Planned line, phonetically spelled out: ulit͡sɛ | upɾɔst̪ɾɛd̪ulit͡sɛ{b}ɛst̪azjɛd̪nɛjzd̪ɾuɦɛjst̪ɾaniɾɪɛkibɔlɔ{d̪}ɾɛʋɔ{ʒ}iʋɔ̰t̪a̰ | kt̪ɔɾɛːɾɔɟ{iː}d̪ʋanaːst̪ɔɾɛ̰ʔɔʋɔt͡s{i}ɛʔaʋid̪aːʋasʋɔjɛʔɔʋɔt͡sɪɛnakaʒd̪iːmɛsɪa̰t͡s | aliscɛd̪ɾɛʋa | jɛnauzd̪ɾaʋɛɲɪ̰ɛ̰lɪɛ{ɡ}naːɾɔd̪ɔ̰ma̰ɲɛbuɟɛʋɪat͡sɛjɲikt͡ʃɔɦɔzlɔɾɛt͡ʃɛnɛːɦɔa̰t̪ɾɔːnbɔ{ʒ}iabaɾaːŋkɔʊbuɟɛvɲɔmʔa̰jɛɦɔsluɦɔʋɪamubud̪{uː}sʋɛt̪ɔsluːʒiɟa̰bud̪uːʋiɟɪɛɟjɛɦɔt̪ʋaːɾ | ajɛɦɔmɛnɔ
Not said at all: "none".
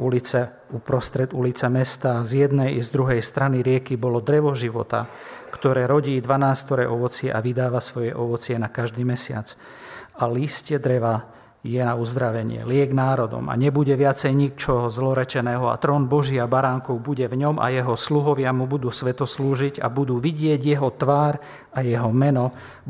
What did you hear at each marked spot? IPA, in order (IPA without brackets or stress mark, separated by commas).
m, d̪, ʒ, iː, ɪ, ɡ, ʒ, uː